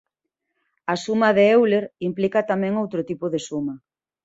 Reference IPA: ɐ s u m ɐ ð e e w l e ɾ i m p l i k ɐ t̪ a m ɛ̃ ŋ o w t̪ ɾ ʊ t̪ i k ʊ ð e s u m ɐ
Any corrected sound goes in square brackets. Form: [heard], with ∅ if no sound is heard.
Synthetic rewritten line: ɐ s u m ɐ ð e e w l e ɾ i m p l i k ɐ t̪ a m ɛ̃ ŋ o w t̪ ɾ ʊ t̪ i [p] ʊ ð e s u m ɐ